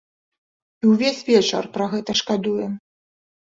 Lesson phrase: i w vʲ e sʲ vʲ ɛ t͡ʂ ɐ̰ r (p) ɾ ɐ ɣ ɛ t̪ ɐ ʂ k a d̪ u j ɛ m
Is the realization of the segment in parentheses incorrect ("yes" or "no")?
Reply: no